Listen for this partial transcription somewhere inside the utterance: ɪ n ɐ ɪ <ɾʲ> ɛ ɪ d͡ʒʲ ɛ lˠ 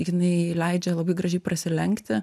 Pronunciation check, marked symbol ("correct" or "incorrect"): incorrect